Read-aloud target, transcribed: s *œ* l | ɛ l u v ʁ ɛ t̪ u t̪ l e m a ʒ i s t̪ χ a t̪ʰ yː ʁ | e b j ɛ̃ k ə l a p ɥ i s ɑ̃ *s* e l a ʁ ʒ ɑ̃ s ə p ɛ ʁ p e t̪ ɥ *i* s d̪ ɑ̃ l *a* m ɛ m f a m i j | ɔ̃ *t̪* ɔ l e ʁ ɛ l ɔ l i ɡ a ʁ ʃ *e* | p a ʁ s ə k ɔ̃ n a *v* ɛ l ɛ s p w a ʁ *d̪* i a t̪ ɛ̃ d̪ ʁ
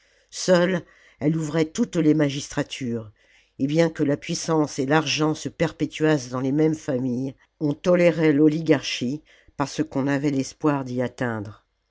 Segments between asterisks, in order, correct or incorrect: correct, correct, incorrect: a, incorrect: e, correct, incorrect: i, correct, correct

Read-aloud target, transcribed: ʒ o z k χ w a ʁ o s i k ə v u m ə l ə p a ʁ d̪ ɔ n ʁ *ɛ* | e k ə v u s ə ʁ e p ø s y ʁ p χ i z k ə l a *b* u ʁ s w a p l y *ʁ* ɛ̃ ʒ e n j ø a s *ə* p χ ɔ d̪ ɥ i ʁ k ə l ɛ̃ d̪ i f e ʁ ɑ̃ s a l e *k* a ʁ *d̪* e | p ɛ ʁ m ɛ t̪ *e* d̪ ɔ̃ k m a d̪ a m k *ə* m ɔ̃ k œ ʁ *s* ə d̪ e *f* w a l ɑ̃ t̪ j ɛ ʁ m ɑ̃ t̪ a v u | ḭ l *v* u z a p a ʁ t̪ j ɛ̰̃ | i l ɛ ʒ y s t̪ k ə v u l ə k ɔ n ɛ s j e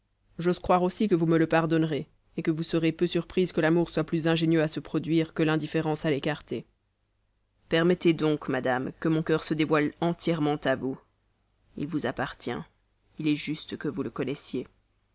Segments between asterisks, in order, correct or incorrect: incorrect: e, incorrect: m, incorrect: z, correct, correct, incorrect: t̪, correct, correct, correct, incorrect: v, correct

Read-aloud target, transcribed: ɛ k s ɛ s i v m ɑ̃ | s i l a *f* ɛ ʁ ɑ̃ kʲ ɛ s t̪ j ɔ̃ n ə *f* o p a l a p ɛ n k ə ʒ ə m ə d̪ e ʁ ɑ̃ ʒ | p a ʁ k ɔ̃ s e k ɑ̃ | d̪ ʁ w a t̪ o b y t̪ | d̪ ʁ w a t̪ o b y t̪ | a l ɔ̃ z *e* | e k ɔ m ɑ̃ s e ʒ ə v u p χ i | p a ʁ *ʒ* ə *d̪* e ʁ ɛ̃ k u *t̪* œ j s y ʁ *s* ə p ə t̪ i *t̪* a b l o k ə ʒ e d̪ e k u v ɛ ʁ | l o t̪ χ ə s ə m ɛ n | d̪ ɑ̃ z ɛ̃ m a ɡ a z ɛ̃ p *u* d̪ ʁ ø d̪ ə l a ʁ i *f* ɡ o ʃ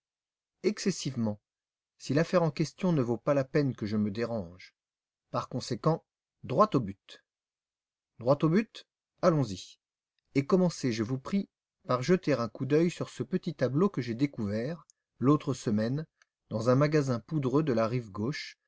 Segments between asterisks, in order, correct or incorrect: correct, incorrect: v, incorrect: i, correct, incorrect: t̪, incorrect: d̪, correct, correct, correct, incorrect: v

